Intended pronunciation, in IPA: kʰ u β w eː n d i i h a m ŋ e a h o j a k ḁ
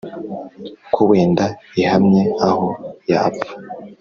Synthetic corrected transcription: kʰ u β w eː n d a i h a m ɲ e a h o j a p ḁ